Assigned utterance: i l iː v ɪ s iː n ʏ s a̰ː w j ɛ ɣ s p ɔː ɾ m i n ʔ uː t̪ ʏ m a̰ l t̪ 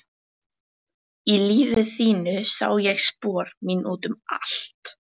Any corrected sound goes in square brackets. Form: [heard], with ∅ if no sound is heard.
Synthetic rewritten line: i l iː v ɪ [θ] iː n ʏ s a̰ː w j ɛ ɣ s p ɔː ɾ m i n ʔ uː t̪ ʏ m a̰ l t̪